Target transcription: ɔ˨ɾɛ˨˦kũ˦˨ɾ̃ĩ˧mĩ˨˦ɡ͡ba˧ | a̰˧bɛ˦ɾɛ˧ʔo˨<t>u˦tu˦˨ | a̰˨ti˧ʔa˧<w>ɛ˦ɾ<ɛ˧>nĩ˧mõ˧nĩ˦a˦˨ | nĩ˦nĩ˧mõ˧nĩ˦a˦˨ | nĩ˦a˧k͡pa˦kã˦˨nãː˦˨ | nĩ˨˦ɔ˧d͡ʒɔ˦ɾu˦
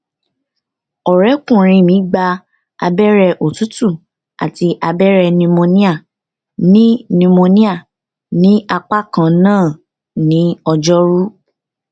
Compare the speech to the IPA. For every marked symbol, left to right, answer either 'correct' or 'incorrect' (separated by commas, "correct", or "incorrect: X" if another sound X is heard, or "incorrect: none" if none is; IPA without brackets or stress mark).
correct, incorrect: b, correct